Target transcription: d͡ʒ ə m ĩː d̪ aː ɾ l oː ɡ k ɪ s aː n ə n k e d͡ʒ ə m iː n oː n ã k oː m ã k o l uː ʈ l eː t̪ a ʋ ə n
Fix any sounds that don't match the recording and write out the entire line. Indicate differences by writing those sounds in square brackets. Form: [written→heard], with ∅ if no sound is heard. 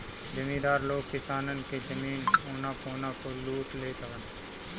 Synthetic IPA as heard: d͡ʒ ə m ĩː d̪ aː ɾ l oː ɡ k ɪ s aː n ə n k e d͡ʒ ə m iː n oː n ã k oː [m→n] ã k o l uː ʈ l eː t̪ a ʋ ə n